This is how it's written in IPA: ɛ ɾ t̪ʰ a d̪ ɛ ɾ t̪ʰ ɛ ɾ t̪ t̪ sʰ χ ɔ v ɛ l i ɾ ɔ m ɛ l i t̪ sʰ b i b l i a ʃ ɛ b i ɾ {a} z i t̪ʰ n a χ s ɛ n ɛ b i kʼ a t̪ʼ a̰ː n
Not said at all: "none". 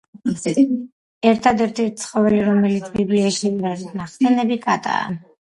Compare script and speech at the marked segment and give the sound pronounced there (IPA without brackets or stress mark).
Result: a